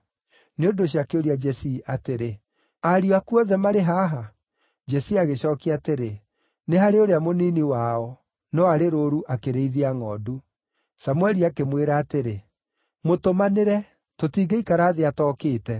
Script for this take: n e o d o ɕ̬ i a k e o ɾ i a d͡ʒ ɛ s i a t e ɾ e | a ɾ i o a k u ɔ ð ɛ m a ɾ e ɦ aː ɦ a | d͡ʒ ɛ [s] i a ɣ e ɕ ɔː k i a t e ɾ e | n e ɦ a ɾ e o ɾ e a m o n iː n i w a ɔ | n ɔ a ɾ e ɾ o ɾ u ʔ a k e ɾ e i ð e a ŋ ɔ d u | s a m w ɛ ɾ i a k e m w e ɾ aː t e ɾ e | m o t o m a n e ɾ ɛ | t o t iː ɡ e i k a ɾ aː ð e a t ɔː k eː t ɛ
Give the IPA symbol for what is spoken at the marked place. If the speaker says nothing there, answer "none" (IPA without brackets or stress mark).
s